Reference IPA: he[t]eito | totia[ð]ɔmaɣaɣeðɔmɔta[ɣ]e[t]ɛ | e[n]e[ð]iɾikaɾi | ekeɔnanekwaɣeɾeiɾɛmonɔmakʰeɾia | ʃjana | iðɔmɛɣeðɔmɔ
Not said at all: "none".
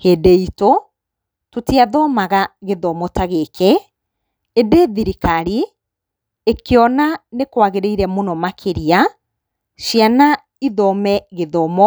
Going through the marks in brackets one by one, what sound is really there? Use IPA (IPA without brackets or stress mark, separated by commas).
d, ð, ɣ, k, d, ð